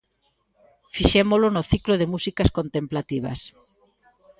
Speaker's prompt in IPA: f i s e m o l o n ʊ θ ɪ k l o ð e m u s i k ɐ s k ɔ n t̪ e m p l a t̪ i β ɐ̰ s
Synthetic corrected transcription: f i ʃ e m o l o n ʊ θ i k l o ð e m u s i k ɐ s k o n t̪ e m p l a t̪ i β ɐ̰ s